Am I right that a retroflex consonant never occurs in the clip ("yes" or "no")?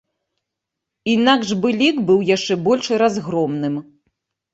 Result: no